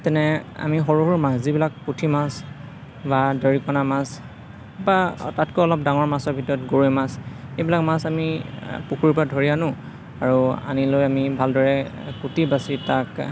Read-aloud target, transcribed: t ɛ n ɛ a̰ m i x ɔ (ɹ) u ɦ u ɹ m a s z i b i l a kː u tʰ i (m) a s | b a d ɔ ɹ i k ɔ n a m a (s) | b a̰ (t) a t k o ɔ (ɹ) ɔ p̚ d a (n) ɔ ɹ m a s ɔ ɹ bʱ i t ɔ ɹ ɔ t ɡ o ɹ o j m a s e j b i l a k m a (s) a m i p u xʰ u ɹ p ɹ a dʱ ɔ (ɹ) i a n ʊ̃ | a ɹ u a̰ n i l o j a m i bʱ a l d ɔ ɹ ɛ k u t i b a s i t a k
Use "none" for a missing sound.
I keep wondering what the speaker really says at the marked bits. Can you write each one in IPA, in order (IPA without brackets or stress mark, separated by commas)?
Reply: ɹ, m, s, t, l, ŋ, s, ɹ